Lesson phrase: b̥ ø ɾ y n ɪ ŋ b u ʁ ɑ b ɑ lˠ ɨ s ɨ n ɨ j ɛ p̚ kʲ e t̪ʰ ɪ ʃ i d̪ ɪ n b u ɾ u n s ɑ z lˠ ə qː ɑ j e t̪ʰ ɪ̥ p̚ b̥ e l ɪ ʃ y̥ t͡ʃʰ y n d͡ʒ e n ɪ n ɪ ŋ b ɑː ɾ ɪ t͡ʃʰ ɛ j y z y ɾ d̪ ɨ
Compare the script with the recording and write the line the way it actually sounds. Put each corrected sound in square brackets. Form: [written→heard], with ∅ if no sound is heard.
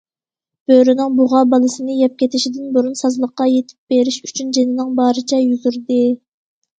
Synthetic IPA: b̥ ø ɾ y n ɪ ŋ b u ʁ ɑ b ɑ lˠ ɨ s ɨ n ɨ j ɛ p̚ kʲ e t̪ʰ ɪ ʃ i d̪ ɪ n b u ɾ u n s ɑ z lˠ ə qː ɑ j e t̪ʰ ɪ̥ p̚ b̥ e [l→ɾ] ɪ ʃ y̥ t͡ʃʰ y n d͡ʒ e n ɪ n ɪ ŋ b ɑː ɾ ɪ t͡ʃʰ ɛ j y z y ɾ d̪ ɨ